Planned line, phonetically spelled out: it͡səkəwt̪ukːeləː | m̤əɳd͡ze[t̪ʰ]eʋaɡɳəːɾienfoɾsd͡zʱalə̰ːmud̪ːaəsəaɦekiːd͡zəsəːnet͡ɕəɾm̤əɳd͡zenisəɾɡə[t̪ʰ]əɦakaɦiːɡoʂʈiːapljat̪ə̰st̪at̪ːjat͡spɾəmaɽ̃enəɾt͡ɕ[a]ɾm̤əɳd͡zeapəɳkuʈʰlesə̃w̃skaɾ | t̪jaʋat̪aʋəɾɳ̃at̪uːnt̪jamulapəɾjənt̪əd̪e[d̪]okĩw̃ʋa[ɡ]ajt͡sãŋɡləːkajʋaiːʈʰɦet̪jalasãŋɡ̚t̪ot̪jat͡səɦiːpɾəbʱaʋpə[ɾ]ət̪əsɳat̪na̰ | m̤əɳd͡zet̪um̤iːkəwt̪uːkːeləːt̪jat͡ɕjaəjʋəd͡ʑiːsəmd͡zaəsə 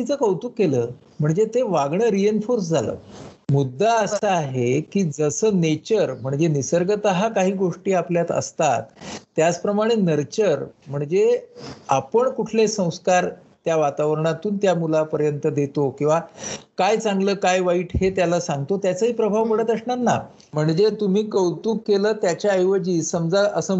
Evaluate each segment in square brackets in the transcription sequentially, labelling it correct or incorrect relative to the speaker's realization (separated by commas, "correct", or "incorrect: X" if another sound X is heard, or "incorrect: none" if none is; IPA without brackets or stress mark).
incorrect: t̪, incorrect: t̪, incorrect: ə, incorrect: t̪, incorrect: k, incorrect: ɽ